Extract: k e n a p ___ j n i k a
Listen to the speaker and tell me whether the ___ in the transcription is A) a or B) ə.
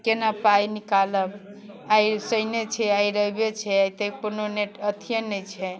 A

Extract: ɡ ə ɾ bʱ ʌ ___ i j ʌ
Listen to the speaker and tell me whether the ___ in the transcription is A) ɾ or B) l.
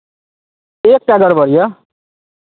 A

